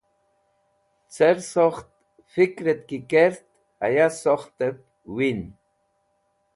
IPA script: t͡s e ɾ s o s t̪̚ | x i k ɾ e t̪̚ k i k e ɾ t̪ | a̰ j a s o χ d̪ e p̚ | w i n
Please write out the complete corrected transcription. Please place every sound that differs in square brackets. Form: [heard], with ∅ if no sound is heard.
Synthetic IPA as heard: t͡s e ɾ s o [χ] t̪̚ | [f] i k ɾ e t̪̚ k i k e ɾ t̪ | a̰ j a s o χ [t̪] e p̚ | w i n